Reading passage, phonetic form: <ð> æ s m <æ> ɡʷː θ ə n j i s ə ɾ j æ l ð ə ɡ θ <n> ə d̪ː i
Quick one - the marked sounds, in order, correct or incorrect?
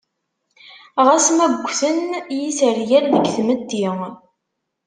incorrect: ʁ, correct, incorrect: m

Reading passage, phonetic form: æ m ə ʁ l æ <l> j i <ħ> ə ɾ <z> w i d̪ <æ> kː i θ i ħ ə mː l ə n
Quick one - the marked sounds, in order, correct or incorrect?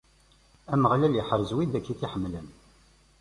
correct, correct, correct, correct

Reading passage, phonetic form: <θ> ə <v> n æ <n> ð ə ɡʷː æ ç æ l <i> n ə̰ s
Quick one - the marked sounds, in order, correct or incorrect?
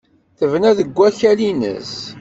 correct, correct, incorrect: none, correct

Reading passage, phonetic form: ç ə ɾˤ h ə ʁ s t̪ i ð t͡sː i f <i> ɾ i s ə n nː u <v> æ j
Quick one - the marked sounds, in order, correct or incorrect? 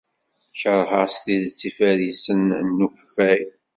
incorrect: æ, incorrect: f

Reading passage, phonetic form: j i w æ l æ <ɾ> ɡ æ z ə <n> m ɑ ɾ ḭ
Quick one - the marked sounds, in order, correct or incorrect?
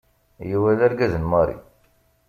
correct, correct

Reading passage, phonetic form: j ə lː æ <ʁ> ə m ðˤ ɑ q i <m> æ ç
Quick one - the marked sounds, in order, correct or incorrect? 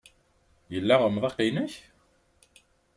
correct, incorrect: n

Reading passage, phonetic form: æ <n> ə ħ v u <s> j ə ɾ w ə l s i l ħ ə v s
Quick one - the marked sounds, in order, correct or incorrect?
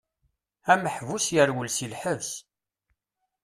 incorrect: m, correct

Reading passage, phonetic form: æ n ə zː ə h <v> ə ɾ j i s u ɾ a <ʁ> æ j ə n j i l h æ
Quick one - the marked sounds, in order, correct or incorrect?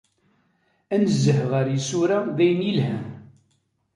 incorrect: ʁ, incorrect: ð

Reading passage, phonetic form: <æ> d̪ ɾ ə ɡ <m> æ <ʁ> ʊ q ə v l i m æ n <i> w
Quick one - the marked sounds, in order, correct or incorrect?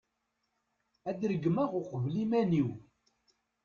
correct, correct, correct, correct

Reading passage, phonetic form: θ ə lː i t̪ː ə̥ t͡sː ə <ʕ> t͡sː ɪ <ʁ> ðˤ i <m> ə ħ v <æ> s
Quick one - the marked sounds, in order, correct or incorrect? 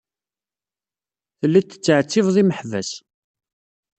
correct, incorrect: v, correct, correct

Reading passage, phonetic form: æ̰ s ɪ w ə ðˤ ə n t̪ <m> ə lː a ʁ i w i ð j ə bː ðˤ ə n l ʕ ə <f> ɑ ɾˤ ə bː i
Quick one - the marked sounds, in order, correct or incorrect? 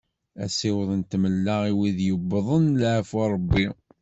correct, correct

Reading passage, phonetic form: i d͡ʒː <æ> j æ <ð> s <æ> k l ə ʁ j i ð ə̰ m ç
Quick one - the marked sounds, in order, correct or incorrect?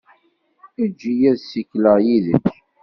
incorrect: i, correct, incorrect: i

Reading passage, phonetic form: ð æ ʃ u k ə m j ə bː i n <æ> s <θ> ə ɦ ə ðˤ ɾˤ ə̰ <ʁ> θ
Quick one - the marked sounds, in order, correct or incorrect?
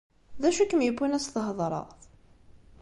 correct, correct, correct

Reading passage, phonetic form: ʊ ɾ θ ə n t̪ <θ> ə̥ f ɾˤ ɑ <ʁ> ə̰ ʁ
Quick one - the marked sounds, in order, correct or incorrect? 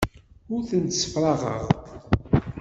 incorrect: s, correct

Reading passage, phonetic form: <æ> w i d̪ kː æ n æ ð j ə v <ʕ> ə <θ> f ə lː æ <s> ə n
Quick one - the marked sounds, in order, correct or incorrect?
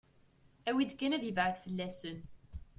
correct, correct, correct, correct

